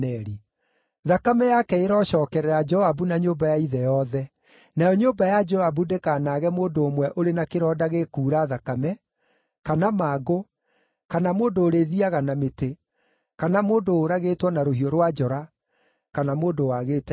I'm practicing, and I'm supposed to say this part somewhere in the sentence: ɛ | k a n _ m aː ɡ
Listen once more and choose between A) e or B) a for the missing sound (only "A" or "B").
B